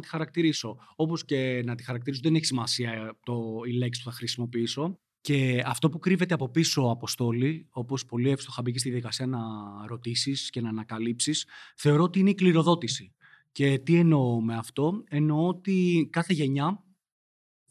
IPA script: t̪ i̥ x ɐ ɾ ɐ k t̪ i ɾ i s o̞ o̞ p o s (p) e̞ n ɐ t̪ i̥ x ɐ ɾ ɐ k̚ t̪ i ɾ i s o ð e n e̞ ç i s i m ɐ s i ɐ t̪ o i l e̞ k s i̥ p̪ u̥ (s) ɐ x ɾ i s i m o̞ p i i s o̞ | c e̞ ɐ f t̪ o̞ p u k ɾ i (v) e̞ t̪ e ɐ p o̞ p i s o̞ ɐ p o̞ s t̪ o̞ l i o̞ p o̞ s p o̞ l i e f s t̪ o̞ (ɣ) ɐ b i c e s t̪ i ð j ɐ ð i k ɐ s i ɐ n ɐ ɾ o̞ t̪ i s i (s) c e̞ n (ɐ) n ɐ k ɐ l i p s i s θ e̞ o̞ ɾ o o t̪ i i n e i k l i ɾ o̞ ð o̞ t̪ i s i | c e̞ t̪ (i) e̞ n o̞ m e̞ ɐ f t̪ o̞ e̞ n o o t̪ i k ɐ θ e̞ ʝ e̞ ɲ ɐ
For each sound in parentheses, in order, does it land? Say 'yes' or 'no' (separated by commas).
no, no, yes, no, yes, no, yes